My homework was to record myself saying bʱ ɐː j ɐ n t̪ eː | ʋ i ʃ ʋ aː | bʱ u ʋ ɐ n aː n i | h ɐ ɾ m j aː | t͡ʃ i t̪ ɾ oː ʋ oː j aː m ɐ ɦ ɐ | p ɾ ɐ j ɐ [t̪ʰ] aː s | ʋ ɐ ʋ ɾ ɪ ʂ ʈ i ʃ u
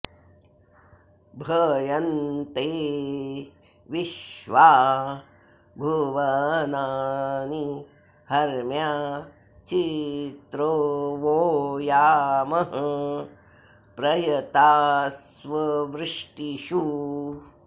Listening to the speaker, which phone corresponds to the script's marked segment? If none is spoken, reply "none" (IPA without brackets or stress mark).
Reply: t̪